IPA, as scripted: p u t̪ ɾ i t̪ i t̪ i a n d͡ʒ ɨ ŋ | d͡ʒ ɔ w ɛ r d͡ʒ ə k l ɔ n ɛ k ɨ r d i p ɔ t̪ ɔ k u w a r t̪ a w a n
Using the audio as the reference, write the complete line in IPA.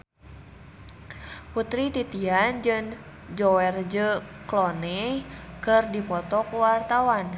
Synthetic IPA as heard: p u t̪ ɾ i t̪ i t̪ i a n d͡ʒ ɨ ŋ | d͡ʒ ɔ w ɛ r d͡ʒ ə k l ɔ n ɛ k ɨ r d i p ɔ t̪ ɔ k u w a r t̪ a w a n